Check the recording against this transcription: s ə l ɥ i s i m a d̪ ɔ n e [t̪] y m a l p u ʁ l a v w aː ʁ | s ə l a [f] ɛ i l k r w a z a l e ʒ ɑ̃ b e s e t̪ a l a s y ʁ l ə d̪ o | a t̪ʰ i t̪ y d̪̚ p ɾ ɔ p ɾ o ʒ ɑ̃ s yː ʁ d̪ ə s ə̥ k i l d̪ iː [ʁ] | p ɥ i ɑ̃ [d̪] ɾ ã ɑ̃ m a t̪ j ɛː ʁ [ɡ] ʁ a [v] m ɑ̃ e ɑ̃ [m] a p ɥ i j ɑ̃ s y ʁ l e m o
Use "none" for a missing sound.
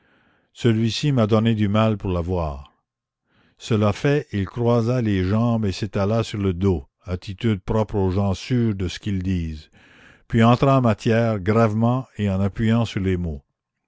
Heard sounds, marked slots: d̪, f, z, t̪, ɡ, v, n

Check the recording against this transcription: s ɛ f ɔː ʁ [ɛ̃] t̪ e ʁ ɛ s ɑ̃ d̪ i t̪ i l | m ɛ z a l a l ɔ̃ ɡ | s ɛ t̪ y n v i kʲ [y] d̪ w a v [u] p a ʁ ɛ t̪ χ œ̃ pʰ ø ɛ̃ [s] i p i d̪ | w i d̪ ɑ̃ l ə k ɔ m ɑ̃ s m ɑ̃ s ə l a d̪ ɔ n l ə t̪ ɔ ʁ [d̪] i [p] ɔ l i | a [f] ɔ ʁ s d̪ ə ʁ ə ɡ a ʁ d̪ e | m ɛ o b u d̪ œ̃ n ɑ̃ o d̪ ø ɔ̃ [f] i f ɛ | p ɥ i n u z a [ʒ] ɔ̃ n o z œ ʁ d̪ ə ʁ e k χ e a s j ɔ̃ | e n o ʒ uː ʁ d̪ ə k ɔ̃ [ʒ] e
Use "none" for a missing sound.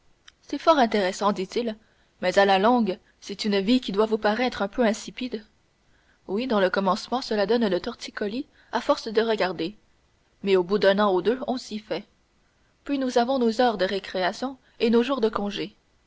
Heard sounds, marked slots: ɛ̃, i, u, s, t̪, k, f, s, v, ʒ

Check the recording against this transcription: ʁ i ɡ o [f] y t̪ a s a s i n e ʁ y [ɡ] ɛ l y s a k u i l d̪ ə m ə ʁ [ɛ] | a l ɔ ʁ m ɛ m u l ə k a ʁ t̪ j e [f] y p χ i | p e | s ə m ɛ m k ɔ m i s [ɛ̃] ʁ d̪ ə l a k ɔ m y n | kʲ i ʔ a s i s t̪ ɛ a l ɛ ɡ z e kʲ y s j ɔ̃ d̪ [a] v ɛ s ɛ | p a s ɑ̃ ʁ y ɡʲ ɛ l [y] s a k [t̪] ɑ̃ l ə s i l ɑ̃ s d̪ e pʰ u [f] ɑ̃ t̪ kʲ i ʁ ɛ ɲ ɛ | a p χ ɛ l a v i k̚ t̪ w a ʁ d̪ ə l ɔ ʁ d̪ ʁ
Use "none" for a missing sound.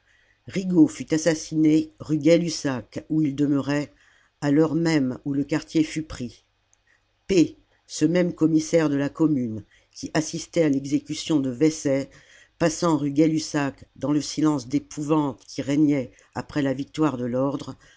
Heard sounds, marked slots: f, ɡ, ɛ, f, ɛ, ə, y, d̪, v

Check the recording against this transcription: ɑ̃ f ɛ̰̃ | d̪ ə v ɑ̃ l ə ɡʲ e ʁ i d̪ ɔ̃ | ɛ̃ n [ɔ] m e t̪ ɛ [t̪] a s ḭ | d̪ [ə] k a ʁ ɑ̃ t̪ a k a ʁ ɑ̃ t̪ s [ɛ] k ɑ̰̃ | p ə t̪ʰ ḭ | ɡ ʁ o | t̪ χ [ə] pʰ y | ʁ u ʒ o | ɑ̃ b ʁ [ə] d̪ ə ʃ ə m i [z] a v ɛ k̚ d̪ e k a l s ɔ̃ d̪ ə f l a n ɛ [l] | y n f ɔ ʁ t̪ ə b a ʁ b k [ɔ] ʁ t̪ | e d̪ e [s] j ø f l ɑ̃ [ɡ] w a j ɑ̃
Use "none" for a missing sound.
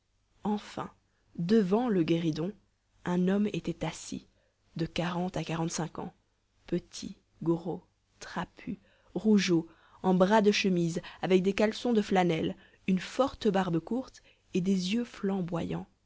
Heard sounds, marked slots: ɔ, t̪, ə, ɛ̃, a, a, z, l, u, z, b

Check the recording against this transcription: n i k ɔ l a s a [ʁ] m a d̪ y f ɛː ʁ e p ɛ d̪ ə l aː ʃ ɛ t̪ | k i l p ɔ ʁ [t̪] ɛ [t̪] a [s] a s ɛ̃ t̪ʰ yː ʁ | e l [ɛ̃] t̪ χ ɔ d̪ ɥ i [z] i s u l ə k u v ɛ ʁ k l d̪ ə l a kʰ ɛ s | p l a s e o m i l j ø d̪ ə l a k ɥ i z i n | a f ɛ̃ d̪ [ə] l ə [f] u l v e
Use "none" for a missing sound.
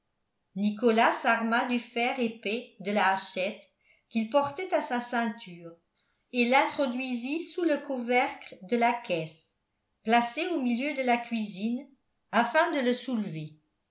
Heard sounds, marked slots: ʁ, t̪, t̪, s, ɛ̃, z, ə, s

